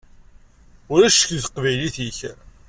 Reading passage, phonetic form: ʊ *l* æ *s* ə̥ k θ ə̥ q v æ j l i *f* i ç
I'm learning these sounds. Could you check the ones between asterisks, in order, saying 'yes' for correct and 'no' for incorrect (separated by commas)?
no, no, no